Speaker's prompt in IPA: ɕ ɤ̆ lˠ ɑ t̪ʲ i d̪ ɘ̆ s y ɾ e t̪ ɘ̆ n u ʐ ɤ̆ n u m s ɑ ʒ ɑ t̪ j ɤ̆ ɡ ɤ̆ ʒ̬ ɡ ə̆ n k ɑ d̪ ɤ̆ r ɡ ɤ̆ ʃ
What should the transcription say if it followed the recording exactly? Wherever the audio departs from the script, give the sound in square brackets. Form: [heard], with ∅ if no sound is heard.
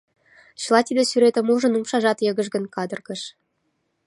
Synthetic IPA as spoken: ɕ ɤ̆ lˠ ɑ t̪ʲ i d̪ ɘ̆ s y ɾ e t̪ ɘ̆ [m] u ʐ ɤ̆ n u m [ʃ] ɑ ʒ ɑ t̪ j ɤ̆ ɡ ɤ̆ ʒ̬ ɡ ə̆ n k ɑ d̪ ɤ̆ r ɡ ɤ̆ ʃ